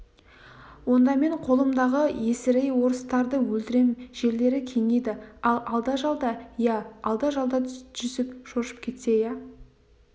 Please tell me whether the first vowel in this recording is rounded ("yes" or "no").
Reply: yes